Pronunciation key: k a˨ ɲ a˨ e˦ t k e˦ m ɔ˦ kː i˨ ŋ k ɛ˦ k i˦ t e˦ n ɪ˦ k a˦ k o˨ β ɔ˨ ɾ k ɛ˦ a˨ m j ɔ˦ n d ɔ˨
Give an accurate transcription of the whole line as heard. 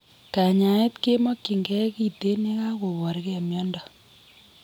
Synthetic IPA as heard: k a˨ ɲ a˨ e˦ t k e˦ m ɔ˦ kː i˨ ŋ ɡ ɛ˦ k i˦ t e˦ n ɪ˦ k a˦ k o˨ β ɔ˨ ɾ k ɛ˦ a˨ m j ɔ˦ n d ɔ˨